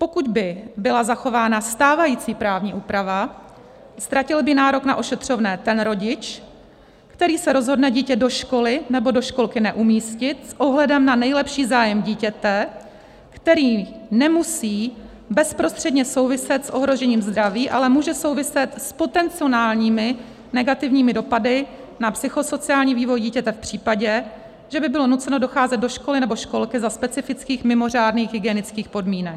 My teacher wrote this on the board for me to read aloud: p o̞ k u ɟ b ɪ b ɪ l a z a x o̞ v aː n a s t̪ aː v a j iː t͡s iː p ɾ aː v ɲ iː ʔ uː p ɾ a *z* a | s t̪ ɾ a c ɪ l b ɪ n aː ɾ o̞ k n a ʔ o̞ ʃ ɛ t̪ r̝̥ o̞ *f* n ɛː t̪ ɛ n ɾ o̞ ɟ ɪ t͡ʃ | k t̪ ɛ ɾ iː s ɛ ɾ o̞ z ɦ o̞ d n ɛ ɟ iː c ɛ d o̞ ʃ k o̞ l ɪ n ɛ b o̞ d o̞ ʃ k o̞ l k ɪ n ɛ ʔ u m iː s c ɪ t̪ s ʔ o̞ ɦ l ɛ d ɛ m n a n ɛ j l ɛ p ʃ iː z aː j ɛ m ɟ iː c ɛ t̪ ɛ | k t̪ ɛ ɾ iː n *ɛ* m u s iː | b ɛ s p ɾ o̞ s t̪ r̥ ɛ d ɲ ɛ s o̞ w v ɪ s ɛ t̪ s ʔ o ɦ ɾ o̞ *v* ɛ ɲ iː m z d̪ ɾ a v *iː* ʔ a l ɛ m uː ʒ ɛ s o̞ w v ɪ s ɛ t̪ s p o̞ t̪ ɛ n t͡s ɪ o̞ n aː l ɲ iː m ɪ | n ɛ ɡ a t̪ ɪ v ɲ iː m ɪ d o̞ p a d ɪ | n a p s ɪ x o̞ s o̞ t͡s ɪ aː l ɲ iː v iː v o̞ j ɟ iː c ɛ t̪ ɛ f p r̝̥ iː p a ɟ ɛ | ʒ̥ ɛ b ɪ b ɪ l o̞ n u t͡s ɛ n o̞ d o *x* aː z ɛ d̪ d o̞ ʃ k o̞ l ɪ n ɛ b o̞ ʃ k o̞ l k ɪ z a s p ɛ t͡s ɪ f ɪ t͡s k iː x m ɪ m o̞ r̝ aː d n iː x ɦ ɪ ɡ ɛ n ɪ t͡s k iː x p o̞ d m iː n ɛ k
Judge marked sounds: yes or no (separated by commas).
no, no, yes, no, yes, yes